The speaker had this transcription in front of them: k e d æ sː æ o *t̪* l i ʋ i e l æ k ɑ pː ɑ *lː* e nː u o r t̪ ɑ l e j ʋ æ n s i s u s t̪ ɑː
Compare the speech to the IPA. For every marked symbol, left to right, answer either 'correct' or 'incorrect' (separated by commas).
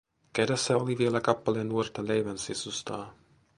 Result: incorrect, incorrect